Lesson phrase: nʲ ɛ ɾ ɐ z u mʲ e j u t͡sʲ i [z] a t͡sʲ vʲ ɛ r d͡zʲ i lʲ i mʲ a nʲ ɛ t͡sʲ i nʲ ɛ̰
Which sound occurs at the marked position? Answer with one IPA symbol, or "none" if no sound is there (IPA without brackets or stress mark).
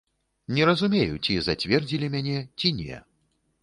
z